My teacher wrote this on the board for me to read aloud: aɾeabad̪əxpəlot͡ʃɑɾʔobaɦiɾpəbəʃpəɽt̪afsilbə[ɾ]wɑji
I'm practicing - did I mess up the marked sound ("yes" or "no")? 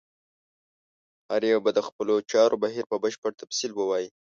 yes